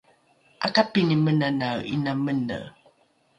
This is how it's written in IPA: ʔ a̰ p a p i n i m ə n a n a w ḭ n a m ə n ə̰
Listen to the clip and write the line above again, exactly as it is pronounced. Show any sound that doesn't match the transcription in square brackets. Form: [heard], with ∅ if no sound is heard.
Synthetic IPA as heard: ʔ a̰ [k] a p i n i m ə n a n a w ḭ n a m ə n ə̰